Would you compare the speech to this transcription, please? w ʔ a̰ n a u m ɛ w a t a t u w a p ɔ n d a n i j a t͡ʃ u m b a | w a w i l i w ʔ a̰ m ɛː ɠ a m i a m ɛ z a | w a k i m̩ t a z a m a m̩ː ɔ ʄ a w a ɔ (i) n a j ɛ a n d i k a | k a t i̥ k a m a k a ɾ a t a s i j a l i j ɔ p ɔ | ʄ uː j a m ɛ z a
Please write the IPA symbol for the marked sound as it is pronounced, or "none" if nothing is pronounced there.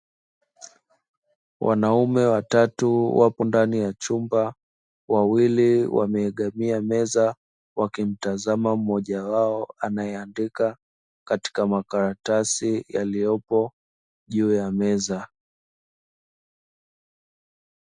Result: a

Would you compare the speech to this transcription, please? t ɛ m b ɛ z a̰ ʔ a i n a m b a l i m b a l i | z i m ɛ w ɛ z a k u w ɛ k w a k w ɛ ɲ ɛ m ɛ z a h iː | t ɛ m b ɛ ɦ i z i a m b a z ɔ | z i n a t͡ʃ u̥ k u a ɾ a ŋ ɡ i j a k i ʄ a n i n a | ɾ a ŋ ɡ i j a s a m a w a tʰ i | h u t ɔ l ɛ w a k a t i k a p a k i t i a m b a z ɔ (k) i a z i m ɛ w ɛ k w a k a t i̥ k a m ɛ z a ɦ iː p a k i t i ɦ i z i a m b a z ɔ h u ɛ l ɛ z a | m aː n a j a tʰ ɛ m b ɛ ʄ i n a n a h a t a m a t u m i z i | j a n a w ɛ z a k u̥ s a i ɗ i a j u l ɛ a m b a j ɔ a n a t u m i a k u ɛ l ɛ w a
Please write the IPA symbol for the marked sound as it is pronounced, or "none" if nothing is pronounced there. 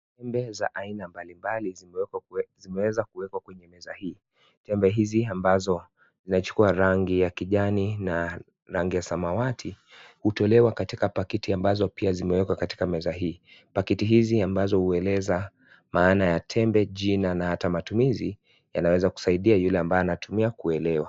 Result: p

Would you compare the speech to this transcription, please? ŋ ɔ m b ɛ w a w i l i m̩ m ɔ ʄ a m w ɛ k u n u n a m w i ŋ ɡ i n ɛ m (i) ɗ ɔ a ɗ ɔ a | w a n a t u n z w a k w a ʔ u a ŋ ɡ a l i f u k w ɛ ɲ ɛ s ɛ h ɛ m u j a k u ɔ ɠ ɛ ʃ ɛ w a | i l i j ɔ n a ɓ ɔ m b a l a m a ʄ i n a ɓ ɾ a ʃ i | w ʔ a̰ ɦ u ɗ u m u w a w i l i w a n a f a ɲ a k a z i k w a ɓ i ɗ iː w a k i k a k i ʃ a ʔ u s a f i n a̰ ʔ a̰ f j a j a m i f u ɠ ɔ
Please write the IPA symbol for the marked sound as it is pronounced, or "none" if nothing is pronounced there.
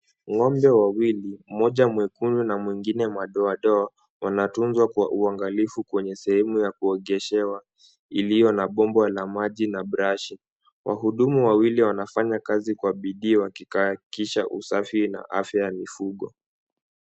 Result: a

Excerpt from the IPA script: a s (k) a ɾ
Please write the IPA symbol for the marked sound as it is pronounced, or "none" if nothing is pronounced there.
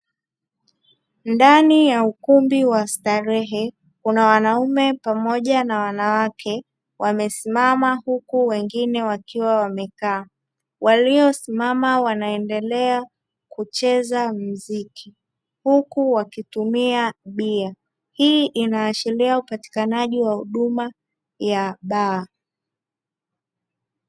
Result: t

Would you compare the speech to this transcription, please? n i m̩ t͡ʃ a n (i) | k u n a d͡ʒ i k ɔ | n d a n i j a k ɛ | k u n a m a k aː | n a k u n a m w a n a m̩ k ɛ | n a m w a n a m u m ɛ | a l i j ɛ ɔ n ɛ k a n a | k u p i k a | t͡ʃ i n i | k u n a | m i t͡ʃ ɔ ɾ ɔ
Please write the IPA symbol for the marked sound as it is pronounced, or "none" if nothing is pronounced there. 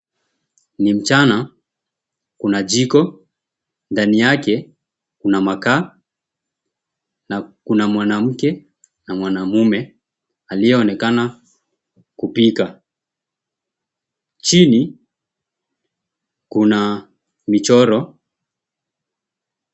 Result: a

